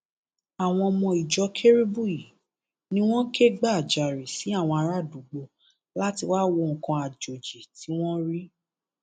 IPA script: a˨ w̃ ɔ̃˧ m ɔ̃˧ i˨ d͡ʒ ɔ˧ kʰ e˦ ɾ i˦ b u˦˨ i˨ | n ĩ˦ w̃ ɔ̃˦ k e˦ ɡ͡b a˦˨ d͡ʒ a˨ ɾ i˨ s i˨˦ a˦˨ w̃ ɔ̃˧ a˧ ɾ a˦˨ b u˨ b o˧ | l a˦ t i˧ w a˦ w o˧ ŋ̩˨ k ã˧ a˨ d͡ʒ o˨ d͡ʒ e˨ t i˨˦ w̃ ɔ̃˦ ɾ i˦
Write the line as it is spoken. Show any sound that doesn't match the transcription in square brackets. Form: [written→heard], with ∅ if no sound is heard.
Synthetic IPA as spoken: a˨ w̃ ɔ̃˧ m ɔ̃˧ i˨ d͡ʒ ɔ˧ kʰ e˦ ɾ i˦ b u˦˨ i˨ | n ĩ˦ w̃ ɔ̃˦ k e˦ ɡ͡b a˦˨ d͡ʒ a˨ ɾ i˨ s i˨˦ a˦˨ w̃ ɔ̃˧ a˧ ɾ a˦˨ [b→d] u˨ [b→ɡ͡b] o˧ | l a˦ t i˧ w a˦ w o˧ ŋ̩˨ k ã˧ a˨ d͡ʒ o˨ d͡ʒ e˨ t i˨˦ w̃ ɔ̃˦ ɾ i˦